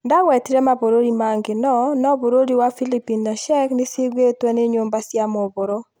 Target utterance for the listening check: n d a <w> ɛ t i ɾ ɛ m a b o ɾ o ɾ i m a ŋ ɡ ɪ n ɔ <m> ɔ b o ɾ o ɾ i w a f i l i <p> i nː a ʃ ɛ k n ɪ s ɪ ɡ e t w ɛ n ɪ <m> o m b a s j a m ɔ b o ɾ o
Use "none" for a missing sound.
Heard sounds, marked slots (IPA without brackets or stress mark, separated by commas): w, n, p, ɲ